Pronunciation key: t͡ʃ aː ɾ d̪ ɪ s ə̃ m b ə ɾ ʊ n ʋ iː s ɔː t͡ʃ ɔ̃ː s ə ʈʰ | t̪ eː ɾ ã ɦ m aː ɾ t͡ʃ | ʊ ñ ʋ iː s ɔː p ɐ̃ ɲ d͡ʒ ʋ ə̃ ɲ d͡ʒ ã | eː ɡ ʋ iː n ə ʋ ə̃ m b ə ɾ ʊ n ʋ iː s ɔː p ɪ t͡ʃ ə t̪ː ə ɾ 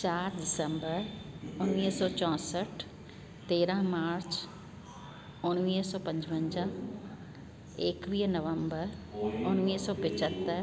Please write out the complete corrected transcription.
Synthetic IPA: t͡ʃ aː ɾ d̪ ɪ s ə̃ m b ə ɾ ʊ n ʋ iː s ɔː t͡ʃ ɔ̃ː s ə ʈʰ | t̪ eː ɾ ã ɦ m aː ɾ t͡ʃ | ʊ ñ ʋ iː s ɔː p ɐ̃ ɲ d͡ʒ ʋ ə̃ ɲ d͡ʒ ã | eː k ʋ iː n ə ʋ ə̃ m b ə ɾ ʊ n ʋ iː s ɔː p ɪ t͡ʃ ə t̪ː ə ɾ